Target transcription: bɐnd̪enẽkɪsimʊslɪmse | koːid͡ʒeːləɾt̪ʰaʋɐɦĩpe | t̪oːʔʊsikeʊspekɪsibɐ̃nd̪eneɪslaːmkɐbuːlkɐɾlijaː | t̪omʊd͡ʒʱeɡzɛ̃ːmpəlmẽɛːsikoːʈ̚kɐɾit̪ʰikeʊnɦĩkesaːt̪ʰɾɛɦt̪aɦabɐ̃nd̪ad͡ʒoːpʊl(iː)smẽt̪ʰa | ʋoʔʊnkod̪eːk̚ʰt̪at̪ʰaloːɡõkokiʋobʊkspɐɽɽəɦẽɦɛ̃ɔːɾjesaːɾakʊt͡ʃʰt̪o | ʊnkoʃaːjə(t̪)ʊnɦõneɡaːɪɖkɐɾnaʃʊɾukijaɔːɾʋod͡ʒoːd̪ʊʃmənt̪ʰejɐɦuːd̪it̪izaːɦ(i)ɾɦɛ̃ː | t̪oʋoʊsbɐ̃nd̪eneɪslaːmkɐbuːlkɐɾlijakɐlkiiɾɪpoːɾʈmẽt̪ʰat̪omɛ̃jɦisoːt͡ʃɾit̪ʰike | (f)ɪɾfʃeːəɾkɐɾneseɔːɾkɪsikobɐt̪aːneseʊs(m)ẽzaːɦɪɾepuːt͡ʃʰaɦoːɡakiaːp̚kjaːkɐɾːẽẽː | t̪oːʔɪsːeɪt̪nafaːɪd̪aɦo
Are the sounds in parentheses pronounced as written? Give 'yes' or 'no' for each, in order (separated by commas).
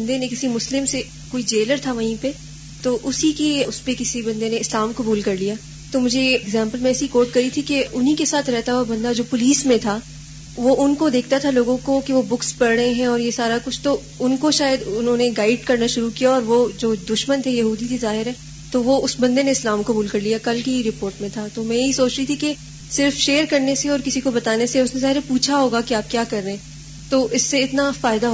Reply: yes, no, no, no, no